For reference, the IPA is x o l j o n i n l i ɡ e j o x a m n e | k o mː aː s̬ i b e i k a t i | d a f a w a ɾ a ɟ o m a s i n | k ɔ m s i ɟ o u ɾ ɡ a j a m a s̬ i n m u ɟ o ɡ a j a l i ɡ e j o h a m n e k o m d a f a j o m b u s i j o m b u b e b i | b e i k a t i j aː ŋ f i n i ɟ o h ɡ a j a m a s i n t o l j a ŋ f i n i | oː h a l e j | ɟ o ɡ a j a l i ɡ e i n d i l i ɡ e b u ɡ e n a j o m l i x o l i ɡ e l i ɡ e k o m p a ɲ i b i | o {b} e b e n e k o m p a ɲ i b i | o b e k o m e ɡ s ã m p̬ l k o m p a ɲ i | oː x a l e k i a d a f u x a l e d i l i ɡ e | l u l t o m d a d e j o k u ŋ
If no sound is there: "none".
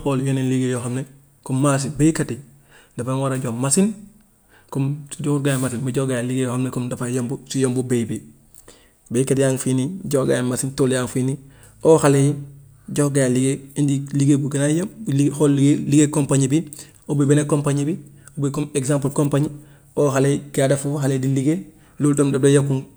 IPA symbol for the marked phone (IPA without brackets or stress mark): b